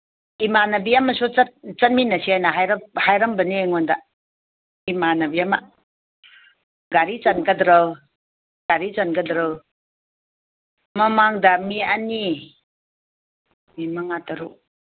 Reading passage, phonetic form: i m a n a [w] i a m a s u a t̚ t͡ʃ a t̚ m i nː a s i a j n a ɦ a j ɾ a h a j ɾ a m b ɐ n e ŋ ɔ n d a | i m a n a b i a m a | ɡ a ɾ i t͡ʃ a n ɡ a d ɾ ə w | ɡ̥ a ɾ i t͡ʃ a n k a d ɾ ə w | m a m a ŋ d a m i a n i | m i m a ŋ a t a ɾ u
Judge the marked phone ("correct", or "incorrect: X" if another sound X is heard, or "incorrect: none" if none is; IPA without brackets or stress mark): incorrect: b